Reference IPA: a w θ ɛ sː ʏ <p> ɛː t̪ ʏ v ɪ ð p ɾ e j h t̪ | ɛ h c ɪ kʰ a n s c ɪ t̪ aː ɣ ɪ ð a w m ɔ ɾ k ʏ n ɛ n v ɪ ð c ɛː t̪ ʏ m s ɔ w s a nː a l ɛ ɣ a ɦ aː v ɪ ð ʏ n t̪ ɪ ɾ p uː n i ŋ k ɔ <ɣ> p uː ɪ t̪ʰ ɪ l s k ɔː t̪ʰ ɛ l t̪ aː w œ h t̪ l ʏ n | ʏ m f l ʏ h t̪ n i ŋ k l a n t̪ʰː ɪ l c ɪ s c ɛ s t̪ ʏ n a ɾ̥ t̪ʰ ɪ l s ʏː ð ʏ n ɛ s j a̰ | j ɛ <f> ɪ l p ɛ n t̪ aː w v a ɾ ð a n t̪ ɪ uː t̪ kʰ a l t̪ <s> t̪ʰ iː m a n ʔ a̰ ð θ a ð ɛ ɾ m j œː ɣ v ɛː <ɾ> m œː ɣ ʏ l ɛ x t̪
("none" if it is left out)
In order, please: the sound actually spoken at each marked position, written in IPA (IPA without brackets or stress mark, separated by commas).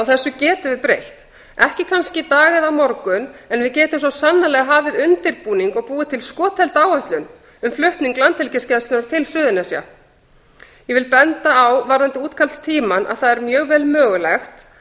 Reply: c, ɣ, v, s, l